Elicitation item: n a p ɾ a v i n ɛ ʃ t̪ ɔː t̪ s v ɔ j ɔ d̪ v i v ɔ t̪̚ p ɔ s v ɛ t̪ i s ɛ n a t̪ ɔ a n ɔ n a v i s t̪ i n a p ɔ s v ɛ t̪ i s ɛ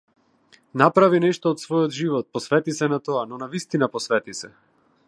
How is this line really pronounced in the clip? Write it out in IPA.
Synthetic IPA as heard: n a p ɾ a v i n ɛ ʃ t̪ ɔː t̪ s v ɔ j ɔ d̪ ʒ i v ɔ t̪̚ p ɔ s v ɛ t̪ i s ɛ n a t̪ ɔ a n ɔ n a v i s t̪ i n a p ɔ s v ɛ t̪ i s ɛ